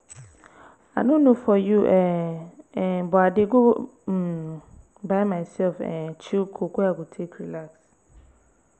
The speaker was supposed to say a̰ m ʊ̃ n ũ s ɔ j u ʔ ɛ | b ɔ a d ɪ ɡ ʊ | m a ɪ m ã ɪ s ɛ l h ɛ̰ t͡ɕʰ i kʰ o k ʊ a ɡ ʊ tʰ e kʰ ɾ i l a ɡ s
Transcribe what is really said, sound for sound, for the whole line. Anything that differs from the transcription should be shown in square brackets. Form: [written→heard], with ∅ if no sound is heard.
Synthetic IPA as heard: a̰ [m→n] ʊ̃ n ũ [s→f] ɔ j u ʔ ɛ | b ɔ a d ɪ ɡ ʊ | [m→b] a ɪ m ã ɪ s ɛ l [h→f] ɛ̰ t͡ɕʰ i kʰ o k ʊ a ɡ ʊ tʰ e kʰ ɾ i l a [ɡ→k] s